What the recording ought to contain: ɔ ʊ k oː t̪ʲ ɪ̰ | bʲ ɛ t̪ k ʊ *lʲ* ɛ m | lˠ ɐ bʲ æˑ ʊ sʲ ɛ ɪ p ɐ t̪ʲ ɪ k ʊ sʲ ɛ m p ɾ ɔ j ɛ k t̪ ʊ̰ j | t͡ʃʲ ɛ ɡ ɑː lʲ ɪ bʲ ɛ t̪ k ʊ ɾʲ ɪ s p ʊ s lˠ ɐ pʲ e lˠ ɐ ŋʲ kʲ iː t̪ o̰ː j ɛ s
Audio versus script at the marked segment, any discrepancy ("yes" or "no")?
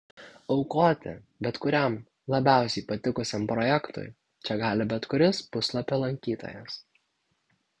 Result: yes